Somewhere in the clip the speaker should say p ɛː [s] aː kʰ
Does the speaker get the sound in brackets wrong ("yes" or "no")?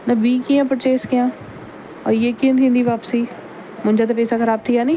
no